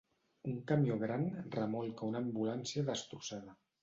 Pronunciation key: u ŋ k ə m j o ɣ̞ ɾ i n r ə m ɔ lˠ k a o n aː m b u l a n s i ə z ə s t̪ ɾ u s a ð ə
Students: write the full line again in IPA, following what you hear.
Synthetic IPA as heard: u ŋ k a m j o ɣ̞ ɾ a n r ə m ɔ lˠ k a u n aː m b u l a n s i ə ð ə s t̪ ɾ u s a ð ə

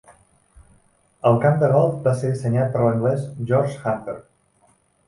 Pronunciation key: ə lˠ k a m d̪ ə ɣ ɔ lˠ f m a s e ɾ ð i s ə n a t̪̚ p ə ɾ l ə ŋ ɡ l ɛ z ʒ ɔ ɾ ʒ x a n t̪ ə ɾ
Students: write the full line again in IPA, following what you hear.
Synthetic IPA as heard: ə lˠ k a m d̪ ə ɣ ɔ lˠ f b a s e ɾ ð i s ə ɲ a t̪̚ p ə ɾ l ə ŋ ɡ l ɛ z ʒ ɔ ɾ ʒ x a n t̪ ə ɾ

